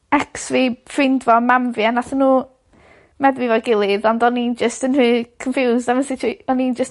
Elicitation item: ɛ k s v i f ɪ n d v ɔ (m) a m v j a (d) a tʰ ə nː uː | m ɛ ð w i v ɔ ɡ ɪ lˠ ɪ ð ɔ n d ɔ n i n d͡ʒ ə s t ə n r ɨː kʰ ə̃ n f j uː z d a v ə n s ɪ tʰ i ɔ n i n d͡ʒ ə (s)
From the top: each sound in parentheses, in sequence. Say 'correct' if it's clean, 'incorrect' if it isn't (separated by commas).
correct, incorrect, correct